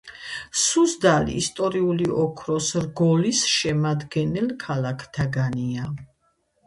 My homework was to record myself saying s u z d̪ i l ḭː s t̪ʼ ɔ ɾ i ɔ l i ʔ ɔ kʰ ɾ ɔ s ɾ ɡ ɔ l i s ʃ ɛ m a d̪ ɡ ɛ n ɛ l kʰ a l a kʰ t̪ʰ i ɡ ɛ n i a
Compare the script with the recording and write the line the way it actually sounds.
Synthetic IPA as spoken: s u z d̪ a l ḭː s t̪ʼ ɔ ɾ i u l i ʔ ɔ kʰ ɾ ɔ s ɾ ɡ ɔ l i s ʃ ɛ m a d̪ ɡ ɛ n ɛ l kʰ a l a kʰ t̪ʰ a ɡ a n i a